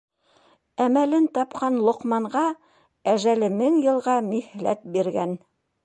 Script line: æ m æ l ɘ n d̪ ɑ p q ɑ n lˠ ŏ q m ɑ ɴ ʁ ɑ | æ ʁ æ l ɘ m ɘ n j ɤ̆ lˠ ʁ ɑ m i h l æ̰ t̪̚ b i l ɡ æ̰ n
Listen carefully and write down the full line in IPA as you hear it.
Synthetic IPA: æ m æ l ɘ n t̪ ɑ p q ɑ n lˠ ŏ q m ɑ ɴ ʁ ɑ | æ ʒ æ l ɘ m ɘ ŋ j ɤ̆ lˠ ʁ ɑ m i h l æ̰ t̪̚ b i ɾ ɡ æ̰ n